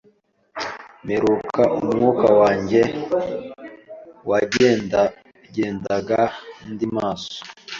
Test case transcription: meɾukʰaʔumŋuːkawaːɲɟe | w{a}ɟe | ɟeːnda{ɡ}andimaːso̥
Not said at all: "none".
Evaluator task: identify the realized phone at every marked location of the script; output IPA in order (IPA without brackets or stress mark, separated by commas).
a, ɡ